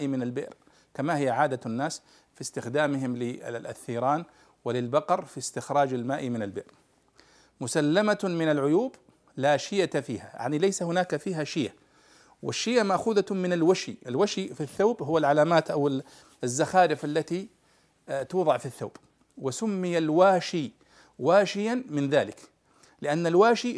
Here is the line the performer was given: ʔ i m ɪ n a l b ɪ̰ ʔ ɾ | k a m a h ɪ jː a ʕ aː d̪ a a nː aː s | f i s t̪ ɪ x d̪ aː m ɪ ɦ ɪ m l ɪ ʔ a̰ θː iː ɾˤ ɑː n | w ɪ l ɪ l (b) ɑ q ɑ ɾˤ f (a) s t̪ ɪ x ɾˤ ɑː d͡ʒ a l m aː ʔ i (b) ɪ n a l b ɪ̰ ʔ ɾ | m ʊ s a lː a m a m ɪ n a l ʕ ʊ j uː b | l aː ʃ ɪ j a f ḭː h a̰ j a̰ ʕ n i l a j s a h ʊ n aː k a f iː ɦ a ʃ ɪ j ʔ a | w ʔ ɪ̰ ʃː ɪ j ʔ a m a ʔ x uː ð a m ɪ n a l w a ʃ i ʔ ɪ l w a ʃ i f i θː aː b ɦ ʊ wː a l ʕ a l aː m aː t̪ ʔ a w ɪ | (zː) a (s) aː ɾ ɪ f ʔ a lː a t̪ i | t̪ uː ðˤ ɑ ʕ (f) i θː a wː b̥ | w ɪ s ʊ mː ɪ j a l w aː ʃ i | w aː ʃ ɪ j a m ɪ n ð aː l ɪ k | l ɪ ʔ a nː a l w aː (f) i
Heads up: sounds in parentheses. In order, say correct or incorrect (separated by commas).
correct, incorrect, incorrect, correct, incorrect, correct, incorrect